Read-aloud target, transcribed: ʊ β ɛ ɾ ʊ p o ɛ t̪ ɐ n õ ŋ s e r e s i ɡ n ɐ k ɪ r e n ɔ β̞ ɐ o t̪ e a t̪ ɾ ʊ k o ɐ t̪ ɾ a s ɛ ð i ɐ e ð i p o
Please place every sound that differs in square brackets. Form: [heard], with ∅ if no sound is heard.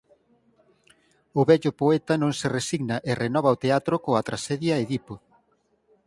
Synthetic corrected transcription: ʊ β ɛ [ʎ] ʊ p o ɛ t̪ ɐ n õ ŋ s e r e s i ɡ n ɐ [ʔ] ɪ r e n ɔ β̞ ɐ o t̪ e a t̪ ɾ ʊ k o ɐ t̪ ɾ a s ɛ ð [j] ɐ e ð i p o